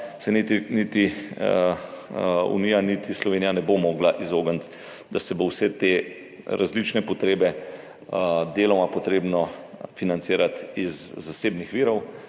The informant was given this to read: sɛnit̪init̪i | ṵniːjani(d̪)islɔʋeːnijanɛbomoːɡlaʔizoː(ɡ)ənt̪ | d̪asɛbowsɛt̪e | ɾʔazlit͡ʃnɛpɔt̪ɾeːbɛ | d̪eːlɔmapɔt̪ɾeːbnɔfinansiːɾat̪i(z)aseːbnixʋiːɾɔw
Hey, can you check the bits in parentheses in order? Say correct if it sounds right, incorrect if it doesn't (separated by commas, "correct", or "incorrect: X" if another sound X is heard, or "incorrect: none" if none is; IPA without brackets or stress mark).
incorrect: t̪, correct, incorrect: zː